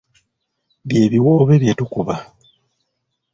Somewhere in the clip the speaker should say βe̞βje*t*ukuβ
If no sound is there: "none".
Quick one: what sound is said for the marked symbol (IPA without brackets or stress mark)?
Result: t